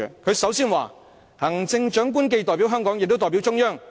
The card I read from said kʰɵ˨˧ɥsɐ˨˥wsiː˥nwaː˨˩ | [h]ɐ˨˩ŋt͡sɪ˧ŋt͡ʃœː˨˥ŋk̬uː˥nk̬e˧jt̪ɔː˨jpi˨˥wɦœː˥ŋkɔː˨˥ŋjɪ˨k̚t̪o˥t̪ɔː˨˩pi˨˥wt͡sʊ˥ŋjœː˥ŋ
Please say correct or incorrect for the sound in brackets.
correct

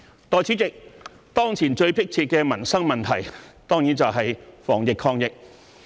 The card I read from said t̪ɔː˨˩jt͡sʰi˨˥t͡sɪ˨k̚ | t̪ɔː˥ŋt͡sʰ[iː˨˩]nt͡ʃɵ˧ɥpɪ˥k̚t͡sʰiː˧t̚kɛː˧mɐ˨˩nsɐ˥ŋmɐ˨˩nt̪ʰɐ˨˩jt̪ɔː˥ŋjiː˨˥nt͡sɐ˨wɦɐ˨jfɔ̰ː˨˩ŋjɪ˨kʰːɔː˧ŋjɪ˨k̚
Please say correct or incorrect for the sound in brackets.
correct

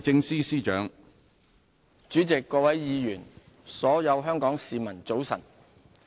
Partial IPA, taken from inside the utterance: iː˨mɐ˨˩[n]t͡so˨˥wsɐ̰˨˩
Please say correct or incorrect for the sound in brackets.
correct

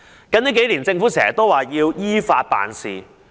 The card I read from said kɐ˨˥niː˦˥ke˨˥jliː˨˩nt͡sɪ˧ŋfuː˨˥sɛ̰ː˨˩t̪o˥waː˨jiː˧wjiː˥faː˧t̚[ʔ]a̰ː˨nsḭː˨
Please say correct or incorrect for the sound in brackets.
incorrect: p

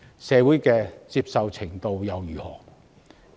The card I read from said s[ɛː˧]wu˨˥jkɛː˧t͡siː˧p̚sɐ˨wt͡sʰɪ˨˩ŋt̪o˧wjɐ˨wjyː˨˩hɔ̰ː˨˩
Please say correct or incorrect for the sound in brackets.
correct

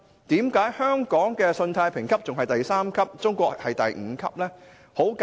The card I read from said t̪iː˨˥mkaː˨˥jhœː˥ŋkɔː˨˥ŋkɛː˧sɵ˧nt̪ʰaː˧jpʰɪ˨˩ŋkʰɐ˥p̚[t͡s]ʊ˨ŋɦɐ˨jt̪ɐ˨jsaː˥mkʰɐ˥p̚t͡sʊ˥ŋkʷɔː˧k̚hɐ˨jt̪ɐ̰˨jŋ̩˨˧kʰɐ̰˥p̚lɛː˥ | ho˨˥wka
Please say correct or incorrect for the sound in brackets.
correct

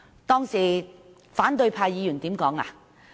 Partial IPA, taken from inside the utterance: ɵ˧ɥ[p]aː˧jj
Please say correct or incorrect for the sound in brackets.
incorrect: pʰ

